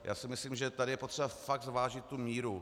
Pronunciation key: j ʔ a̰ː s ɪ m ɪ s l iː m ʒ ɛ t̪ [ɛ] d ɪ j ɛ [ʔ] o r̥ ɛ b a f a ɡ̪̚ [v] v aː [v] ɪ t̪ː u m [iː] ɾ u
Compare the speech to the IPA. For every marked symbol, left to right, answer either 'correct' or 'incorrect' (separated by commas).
incorrect, incorrect, incorrect, incorrect, correct